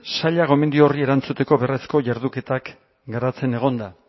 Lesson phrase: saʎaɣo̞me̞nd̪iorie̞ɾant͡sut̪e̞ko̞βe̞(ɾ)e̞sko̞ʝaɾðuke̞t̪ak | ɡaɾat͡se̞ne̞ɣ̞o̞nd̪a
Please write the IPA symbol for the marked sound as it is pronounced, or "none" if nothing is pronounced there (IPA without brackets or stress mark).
r